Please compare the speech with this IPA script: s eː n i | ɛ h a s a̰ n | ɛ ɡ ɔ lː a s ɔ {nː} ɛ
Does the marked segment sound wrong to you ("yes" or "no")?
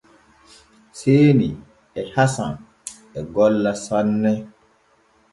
no